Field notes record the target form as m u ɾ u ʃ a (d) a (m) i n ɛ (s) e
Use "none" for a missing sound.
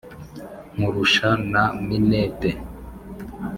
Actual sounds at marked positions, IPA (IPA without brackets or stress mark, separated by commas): n, m, t